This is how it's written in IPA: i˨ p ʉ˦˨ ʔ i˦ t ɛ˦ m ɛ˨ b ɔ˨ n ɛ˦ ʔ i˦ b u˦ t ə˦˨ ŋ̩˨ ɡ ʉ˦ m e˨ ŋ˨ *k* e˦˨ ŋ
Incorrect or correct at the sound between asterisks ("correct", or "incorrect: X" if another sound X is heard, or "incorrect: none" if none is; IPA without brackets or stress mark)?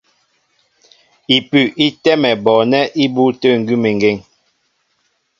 incorrect: ɡ